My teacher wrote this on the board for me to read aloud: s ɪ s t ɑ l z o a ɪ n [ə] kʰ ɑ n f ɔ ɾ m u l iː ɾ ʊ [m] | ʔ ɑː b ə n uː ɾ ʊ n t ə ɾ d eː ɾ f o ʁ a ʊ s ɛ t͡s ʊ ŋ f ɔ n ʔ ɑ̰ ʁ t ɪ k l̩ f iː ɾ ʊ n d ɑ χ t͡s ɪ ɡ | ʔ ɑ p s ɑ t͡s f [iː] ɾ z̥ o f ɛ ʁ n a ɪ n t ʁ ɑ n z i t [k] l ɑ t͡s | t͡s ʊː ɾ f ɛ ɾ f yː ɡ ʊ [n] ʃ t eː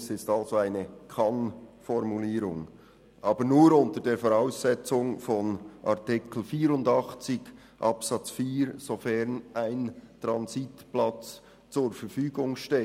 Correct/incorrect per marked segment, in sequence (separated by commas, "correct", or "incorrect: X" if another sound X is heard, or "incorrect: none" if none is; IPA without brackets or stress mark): correct, incorrect: ŋ, correct, incorrect: p, incorrect: ŋ